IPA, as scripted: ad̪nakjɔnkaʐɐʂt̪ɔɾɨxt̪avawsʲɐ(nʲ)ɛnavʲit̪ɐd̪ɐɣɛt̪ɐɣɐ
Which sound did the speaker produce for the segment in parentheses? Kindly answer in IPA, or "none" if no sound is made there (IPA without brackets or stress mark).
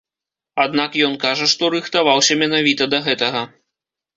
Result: mʲ